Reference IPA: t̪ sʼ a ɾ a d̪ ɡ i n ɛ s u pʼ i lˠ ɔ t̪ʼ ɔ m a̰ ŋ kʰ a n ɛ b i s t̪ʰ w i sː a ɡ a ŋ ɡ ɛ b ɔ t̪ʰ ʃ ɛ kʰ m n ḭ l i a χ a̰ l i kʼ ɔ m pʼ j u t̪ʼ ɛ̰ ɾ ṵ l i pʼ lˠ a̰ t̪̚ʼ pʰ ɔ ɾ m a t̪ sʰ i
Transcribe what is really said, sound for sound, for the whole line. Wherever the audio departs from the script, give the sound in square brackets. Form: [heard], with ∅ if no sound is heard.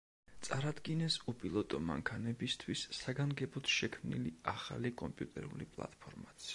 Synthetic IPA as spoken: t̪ sʼ a ɾ a d̪ ɡ i n ɛ s u pʼ i lˠ ɔ t̪ʼ ɔ m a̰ ŋ kʰ a n ɛ b i s t̪ʰ w i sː a ɡ a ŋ ɡ ɛ b ɔ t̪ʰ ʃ ɛ kʰ m n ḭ l i a χ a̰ l i kʼ ɔ m pʼ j u t̪ʼ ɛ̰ ɾ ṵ l i pʼ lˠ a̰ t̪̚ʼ pʰ ɔ ɾ m a t̪ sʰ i

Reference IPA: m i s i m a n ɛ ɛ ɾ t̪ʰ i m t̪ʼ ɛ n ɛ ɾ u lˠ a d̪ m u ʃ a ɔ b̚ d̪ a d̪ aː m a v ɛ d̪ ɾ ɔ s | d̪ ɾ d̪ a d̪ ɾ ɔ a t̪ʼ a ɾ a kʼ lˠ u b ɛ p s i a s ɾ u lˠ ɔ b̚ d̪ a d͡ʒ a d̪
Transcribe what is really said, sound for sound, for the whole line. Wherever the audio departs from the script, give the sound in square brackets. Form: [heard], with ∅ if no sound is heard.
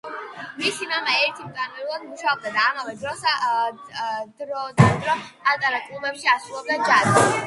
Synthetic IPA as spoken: m i s i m a [m] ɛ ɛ ɾ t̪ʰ i m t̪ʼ [a] n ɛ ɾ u lˠ a d̪ m u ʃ a ɔ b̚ d̪ a d̪ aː m a v ɛ d̪ ɾ ɔ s | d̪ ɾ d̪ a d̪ ɾ ɔ a t̪ʼ a ɾ a kʼ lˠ u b ɛ p [ʃ] i a s ɾ u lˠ ɔ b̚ d̪ a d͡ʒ a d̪

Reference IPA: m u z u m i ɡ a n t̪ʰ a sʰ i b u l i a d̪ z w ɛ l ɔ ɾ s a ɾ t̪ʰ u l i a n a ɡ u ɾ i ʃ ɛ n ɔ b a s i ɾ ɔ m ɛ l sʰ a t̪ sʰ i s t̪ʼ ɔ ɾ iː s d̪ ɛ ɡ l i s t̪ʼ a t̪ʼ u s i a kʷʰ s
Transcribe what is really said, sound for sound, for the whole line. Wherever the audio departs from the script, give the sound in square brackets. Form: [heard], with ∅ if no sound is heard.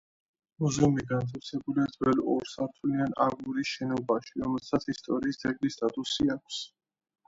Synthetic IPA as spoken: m u z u m i ɡ a n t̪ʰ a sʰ [ɛ] b u l i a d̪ z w ɛ l ɔ ɾ s a ɾ t̪ʰ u l i a n a ɡ u ɾ i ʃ ɛ n ɔ b a [ʃ] i ɾ ɔ m ɛ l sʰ a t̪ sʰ i s t̪ʼ ɔ ɾ iː s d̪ ɛ ɡ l i s t̪ʼ a t̪ʼ u s i a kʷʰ s

